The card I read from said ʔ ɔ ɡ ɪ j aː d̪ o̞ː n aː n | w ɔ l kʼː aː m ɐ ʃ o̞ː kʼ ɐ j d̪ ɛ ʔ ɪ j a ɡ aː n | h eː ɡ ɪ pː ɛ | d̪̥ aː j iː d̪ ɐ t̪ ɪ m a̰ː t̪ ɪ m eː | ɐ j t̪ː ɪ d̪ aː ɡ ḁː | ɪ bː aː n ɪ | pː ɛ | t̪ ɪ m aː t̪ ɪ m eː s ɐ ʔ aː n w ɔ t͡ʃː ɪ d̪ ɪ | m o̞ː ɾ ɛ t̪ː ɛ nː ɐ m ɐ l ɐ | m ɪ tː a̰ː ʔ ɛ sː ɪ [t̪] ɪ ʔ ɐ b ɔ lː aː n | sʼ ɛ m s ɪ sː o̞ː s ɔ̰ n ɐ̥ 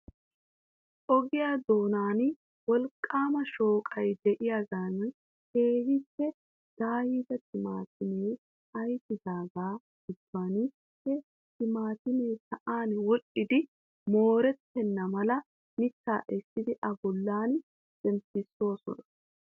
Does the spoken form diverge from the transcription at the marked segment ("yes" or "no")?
yes